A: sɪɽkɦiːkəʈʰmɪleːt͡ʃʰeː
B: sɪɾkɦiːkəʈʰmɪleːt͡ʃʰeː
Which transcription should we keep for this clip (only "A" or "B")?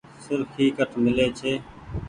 B